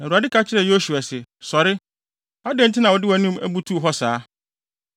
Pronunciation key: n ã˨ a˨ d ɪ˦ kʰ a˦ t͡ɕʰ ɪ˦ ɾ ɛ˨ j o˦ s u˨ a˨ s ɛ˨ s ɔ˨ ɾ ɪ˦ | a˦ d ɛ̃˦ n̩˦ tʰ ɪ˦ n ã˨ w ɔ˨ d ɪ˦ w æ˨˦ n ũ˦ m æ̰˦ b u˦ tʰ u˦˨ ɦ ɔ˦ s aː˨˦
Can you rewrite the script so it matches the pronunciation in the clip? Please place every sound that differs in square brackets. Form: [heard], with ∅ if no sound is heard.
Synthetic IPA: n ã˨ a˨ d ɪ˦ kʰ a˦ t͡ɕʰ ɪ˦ ɾ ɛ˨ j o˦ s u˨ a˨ s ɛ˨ s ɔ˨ ɾ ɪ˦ | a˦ d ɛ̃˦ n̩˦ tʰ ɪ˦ n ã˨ w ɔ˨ d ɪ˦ w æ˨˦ n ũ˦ m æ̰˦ b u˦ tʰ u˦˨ ɦ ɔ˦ s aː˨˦